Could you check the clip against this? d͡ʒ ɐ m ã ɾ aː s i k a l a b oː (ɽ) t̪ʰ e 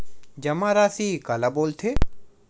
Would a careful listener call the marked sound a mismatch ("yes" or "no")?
yes